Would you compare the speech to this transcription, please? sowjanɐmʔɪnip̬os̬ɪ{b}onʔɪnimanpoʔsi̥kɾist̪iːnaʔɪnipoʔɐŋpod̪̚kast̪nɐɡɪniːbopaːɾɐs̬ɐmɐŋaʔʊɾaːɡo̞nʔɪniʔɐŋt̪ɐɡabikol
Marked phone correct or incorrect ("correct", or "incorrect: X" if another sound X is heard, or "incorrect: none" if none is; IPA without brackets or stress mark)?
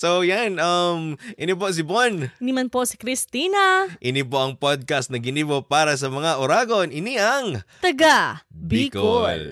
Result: correct